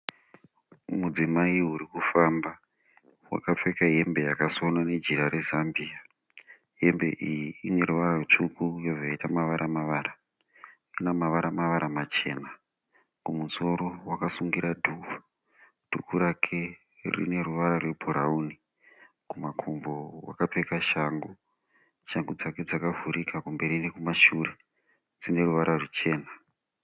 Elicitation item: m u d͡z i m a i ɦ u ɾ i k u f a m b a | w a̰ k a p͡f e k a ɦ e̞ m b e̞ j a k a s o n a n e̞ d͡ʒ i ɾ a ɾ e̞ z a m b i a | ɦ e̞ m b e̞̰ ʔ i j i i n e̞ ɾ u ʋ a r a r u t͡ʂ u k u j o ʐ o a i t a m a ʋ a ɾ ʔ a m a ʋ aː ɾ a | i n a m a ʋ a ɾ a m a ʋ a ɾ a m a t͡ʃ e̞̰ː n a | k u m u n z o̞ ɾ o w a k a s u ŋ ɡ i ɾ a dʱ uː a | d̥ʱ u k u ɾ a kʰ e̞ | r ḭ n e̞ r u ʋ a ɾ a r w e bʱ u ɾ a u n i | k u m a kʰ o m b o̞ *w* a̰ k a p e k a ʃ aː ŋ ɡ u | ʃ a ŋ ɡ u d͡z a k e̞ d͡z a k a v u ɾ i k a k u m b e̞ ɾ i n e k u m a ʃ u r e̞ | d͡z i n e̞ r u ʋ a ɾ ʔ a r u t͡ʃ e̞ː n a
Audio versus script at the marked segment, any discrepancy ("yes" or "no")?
no